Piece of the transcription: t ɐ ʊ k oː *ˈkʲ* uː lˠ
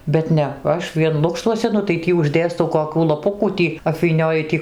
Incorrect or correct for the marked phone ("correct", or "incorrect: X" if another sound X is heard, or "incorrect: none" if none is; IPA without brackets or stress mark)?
correct